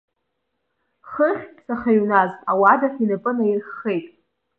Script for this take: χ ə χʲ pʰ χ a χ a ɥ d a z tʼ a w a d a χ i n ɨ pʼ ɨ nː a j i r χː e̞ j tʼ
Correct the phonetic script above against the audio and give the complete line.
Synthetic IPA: χ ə χʲ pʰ s a χ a ɥ n a z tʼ a w a d a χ i n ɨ pʼ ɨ n a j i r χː e̞ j tʼ